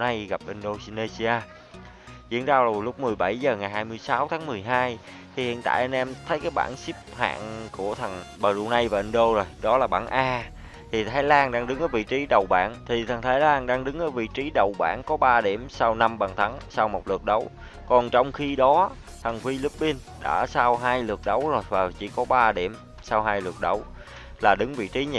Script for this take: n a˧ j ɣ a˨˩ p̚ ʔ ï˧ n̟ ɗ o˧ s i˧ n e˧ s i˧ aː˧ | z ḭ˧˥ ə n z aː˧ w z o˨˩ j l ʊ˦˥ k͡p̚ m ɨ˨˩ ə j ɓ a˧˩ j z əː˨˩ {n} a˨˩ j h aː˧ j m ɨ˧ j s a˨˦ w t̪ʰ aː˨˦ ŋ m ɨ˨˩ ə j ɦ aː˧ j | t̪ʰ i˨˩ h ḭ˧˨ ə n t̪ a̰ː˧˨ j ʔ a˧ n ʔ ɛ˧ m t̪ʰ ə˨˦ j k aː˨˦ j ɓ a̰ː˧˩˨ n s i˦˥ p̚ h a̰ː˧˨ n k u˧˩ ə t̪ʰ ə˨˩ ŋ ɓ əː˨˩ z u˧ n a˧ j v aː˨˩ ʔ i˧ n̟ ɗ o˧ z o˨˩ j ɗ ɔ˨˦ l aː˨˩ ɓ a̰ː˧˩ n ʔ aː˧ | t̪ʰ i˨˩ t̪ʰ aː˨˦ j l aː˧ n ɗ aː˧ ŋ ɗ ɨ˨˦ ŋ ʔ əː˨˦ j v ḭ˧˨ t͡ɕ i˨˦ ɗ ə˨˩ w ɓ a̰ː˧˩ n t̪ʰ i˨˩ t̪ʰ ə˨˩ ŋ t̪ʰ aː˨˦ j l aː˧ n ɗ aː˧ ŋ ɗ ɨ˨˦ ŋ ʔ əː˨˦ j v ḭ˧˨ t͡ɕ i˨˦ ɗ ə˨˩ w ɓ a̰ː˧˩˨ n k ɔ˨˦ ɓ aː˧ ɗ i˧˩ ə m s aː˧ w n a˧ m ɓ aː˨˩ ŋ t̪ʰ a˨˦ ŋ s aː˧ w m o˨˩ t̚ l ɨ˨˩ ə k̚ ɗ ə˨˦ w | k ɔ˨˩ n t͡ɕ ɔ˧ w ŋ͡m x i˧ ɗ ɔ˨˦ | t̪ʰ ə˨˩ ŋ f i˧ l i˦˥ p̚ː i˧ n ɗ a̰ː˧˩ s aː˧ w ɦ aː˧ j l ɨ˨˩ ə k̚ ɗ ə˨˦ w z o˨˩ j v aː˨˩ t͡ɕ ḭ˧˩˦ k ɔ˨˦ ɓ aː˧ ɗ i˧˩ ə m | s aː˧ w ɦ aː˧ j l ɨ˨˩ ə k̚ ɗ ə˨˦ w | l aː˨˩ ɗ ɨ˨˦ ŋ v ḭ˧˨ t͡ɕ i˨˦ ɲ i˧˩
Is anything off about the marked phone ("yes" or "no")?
yes